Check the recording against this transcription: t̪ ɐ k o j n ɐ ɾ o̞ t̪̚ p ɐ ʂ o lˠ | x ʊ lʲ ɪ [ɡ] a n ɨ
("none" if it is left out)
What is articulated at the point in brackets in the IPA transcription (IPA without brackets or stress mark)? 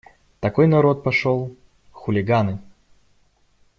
ɡ